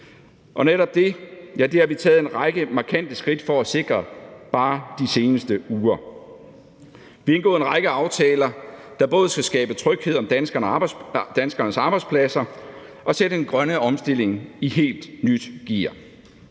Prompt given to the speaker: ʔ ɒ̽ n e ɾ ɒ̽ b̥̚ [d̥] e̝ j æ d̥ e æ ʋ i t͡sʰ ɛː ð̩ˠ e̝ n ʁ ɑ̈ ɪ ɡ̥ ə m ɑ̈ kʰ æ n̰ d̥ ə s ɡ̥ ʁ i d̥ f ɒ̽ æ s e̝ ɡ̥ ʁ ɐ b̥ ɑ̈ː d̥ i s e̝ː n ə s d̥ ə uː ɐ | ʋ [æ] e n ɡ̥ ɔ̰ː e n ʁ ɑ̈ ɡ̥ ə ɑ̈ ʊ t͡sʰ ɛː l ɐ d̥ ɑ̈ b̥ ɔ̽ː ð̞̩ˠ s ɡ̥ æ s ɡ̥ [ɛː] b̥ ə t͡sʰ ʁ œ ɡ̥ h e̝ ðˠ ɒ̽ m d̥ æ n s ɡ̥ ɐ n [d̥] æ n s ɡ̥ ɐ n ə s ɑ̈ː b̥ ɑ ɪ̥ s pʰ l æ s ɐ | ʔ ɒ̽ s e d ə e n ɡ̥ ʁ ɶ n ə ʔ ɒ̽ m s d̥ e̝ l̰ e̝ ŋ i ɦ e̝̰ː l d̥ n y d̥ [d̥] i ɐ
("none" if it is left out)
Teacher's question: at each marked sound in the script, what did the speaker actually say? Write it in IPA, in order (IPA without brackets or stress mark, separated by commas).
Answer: d̥, i, ɛː, d̥, ɡ̥